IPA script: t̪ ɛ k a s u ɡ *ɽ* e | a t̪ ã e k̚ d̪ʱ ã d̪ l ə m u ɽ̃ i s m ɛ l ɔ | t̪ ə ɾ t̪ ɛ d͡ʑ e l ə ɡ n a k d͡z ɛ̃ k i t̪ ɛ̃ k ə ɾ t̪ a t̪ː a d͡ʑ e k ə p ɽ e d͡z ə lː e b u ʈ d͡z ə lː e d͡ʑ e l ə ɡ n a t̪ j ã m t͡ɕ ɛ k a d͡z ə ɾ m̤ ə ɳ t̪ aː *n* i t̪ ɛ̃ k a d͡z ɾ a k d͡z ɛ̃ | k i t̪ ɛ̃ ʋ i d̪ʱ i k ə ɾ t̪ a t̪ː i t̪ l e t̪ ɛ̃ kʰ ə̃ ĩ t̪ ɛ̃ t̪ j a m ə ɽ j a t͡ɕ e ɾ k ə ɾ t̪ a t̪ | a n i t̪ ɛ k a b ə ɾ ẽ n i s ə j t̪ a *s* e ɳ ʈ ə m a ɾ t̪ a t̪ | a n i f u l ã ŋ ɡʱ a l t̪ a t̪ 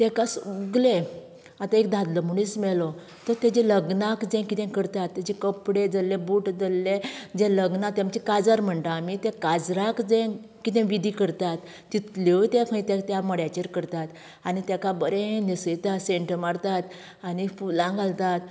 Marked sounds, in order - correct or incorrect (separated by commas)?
incorrect, incorrect, correct